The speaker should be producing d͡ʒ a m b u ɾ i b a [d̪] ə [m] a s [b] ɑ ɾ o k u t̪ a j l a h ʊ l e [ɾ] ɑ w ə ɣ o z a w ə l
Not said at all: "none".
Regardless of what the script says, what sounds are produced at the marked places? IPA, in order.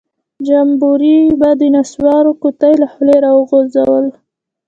d̪, n, w, ɾ

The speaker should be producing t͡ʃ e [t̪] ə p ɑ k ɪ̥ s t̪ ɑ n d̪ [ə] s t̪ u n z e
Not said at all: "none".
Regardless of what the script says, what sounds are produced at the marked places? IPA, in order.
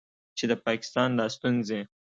d̪, ɑ

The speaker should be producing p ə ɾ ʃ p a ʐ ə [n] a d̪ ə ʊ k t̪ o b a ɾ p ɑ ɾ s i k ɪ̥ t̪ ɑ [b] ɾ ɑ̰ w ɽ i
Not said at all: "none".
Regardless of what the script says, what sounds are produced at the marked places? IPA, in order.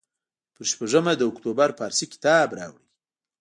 m, b

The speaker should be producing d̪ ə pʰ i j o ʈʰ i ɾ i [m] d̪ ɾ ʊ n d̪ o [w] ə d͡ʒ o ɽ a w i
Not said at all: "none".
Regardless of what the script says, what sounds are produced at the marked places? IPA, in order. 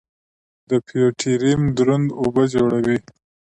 m, b

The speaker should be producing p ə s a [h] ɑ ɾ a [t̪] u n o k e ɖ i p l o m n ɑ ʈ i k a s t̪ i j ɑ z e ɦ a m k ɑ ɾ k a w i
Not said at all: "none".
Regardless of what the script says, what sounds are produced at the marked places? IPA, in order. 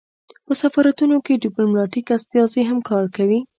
f, t̪

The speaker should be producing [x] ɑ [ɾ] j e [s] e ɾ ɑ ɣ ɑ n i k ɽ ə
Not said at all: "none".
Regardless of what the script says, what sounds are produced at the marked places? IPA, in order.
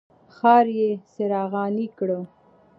x, ɾ, s

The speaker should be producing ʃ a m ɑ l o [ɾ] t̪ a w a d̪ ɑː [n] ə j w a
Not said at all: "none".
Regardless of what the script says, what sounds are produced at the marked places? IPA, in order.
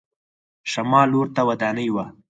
ɾ, n

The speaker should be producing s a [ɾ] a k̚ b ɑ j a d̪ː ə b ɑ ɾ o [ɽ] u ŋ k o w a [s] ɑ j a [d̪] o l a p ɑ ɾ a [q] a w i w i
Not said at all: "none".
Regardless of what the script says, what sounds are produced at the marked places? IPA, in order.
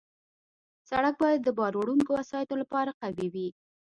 ɽ, ɽ, s, t̪, q

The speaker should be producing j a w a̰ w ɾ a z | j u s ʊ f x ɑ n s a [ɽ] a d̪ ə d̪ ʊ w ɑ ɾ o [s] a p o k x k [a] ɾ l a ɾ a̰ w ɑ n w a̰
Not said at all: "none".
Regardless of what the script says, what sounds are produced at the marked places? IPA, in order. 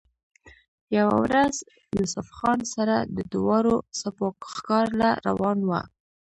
ɾ, s, ɑ

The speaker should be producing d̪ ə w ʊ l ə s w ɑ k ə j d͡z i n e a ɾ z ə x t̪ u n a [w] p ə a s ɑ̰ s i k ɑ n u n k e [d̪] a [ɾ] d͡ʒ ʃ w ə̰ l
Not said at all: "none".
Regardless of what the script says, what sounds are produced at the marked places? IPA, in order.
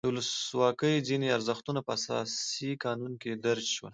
none, d̪, ɾ

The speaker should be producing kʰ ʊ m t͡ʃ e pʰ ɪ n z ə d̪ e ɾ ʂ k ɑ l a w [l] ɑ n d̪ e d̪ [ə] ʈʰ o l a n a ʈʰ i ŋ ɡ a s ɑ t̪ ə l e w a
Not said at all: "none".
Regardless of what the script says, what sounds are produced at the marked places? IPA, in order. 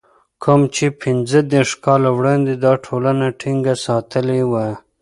ɽ, ɑ

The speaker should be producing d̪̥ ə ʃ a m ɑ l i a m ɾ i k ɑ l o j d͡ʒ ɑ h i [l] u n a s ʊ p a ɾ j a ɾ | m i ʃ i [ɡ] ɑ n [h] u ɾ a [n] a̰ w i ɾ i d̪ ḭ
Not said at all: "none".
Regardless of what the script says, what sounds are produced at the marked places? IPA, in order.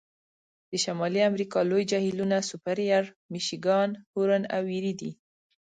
l, ɡ, h, n

